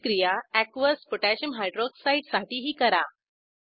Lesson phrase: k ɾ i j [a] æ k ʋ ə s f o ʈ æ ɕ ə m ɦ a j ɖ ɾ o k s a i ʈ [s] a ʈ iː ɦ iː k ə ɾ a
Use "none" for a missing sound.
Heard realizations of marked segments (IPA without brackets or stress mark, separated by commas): a, s